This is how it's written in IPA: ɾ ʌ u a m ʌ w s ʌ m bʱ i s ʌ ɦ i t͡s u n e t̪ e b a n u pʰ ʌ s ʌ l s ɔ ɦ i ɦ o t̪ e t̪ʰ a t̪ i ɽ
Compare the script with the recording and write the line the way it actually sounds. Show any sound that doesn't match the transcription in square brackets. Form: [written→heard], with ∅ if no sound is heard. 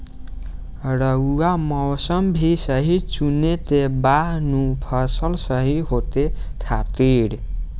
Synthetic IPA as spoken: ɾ ʌ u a m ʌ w s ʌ m bʱ i s ʌ ɦ i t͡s u n e t̪ e b a n u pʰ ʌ s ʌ l s [ɔ→ʌ] ɦ i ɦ o t̪ e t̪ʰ a t̪ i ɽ